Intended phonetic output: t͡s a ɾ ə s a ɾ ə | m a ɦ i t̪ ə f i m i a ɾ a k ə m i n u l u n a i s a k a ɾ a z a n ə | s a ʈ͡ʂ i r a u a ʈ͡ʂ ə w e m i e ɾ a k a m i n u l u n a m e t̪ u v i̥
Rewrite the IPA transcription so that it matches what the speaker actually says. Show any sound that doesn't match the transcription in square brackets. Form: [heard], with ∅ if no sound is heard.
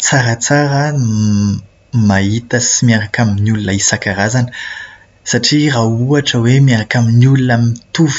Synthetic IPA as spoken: t͡s a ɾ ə [t͡s] a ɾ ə | m a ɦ i t̪ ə [s] i m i a ɾ a k [a] m i n u l u n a i s a k a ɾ a z a n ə | s a ʈ͡ʂ i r a u a ʈ͡ʂ ə w e m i [a] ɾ a k a m i n u l u n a m [i] t̪ u v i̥